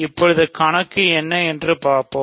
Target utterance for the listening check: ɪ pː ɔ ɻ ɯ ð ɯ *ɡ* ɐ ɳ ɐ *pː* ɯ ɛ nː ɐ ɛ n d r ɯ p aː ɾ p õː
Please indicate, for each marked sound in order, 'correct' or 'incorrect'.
incorrect, incorrect

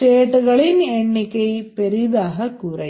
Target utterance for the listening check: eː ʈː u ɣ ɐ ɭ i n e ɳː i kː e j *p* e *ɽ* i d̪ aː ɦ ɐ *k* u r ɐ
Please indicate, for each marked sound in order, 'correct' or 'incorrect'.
correct, incorrect, correct

